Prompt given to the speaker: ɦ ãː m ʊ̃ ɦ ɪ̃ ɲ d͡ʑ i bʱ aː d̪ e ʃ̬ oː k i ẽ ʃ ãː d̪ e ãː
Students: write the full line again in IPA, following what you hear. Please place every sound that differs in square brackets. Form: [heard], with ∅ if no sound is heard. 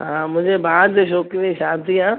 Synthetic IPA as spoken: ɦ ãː m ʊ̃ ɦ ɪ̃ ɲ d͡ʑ [e] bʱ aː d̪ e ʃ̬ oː k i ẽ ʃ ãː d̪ [i] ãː